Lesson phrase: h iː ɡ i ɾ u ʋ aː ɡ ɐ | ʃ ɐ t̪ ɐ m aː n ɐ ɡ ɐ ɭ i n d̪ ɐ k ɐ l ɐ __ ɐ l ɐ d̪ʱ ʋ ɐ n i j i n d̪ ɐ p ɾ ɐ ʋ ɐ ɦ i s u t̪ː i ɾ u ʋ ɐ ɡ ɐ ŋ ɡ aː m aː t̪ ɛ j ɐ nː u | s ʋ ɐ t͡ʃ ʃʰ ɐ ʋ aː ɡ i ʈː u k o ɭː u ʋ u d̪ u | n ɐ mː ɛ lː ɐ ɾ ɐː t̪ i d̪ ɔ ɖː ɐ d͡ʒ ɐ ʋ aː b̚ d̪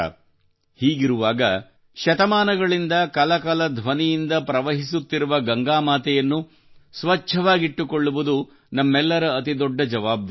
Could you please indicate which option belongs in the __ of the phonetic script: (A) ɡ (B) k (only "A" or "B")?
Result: B